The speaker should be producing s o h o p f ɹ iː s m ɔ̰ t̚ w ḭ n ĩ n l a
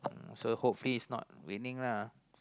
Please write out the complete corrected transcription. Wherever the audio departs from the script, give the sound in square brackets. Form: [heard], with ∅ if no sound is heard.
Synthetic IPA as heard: s o h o p f [l] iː s [n] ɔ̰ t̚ w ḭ n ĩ [ŋ] l a